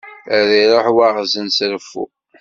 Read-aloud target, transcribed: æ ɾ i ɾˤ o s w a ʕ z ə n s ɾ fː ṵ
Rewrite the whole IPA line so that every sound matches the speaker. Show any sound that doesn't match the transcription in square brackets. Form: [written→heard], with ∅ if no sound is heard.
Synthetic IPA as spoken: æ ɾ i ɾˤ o [s→ħ] w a [ʕ→ʁ] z ə n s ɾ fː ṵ